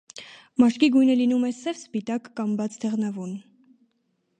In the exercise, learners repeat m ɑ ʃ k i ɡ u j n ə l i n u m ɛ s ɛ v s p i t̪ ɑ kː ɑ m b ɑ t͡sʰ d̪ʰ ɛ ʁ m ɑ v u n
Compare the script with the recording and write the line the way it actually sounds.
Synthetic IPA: m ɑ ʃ k i ɡ u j n ə l i n u m ɛ s ɛ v s p i t̪ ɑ kː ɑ m b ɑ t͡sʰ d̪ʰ ɛ ʁ n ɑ v u n